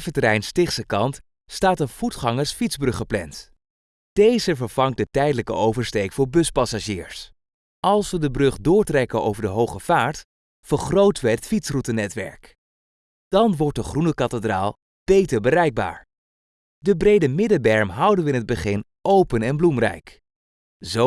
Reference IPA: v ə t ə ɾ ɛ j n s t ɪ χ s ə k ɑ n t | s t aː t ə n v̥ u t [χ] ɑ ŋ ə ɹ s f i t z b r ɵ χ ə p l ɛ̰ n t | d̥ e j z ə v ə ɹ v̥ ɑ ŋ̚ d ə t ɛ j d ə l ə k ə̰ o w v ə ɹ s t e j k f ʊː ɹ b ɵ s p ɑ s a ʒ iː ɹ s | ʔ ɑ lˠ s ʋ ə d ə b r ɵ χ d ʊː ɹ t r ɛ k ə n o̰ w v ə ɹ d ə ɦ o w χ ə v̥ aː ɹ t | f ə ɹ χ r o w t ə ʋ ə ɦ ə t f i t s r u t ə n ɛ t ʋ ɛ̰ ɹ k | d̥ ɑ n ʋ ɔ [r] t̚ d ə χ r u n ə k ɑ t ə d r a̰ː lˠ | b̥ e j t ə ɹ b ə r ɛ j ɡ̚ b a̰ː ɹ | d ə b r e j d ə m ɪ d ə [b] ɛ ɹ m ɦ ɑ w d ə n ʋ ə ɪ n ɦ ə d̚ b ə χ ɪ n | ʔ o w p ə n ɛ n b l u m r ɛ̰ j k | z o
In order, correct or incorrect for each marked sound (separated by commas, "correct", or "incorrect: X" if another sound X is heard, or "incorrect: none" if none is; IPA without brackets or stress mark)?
correct, incorrect: ɹ, correct